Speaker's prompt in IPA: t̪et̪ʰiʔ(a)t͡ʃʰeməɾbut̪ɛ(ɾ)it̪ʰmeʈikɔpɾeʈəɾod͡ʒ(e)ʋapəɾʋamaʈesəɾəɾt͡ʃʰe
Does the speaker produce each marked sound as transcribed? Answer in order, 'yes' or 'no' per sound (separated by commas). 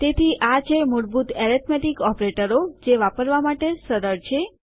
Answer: yes, yes, yes